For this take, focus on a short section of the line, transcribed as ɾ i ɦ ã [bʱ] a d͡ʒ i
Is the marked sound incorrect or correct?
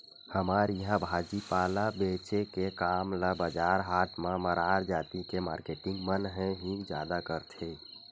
correct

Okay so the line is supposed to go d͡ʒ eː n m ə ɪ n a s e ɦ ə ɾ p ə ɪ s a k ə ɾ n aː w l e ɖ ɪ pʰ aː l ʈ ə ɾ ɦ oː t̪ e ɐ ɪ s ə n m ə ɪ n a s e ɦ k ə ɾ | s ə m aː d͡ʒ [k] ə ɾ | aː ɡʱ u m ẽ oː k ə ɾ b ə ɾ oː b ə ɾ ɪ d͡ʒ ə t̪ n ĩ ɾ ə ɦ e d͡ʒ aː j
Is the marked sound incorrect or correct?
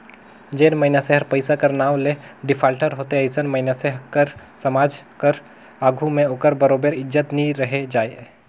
correct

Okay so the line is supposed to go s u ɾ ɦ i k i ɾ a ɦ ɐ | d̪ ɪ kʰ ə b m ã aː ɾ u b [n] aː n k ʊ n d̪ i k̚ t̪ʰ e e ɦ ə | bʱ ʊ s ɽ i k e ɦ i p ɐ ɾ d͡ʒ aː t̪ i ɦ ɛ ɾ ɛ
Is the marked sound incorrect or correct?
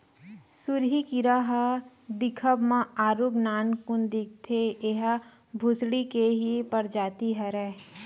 correct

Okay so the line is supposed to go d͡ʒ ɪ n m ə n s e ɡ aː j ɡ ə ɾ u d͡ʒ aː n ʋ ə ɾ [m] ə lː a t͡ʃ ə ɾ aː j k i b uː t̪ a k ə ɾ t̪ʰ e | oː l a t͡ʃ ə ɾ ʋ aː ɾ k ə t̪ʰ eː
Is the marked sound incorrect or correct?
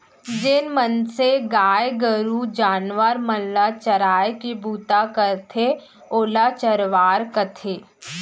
correct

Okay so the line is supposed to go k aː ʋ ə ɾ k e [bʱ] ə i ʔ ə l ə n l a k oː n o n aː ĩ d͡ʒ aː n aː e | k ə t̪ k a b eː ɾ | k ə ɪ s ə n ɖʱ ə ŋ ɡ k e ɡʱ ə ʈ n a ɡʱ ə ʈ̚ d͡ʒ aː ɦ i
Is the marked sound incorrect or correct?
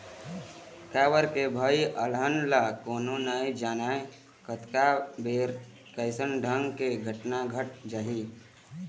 correct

